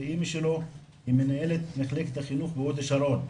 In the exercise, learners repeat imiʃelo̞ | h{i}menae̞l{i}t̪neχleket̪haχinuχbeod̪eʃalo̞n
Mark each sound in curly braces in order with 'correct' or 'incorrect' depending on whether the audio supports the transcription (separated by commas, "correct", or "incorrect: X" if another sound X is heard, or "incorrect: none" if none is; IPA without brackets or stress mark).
correct, incorrect: e